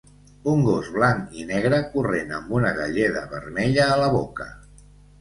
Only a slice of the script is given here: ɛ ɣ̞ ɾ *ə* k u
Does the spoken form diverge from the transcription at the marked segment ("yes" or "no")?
no